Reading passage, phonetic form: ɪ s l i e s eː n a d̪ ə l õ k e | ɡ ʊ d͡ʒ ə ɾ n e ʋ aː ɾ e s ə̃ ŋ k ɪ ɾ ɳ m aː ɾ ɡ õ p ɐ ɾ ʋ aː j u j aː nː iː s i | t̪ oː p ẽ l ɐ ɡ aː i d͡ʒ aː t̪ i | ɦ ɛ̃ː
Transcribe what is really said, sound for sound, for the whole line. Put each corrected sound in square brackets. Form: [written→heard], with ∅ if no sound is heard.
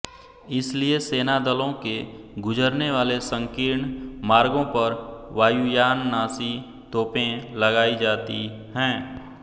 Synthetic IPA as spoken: ɪ s l i e s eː n a d̪ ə l õ k e | ɡ ʊ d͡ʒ ə ɾ n e ʋ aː [ɾ→l] e s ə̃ ŋ k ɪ ɾ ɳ m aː ɾ ɡ õ p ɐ ɾ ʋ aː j u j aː nː [iː→aː] s i | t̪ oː p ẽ l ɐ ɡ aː i d͡ʒ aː t̪ i | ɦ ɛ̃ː